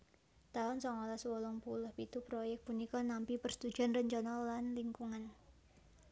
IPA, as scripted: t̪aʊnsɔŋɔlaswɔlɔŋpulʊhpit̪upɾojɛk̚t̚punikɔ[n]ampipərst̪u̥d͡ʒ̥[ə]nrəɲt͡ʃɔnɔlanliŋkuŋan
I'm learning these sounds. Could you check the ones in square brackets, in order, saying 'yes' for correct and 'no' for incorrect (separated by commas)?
yes, no